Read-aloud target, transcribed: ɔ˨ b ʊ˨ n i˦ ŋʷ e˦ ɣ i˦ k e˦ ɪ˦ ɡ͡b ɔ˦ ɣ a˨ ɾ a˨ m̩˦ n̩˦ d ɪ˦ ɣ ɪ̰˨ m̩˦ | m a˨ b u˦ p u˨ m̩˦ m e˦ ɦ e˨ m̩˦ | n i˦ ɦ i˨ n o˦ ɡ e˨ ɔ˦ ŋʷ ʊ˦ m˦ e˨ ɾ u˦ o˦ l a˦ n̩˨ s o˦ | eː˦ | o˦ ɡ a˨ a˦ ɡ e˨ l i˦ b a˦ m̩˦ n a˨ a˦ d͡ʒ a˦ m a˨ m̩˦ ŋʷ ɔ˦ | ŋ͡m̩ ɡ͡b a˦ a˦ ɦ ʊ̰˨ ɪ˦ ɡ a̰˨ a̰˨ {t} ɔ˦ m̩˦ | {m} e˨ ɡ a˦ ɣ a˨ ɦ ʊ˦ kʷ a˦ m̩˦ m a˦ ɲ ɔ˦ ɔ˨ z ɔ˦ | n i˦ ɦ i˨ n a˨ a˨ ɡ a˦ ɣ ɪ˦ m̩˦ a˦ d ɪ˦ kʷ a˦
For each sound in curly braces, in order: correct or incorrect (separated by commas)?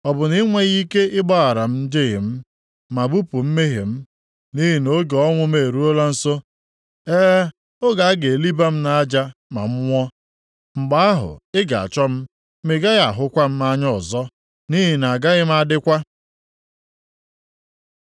incorrect, correct